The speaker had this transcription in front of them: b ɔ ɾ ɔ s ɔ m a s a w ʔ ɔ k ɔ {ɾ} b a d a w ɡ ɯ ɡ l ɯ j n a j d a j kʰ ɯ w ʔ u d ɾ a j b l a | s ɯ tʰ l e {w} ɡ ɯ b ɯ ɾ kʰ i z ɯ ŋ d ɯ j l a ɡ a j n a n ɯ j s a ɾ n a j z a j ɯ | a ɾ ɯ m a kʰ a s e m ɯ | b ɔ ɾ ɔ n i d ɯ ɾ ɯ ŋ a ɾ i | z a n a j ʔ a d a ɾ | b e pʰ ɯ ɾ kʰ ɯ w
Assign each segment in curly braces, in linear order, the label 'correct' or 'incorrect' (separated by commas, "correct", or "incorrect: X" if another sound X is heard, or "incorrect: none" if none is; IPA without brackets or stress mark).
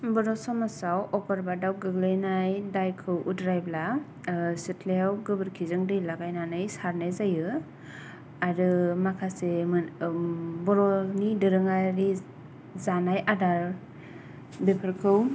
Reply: correct, correct